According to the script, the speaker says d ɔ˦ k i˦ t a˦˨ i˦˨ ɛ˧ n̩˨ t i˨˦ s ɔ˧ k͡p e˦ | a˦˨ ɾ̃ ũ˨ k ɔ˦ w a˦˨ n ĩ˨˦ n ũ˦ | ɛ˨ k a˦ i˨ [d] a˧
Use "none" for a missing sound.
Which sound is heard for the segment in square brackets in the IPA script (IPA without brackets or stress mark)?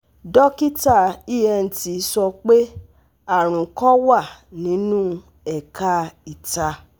t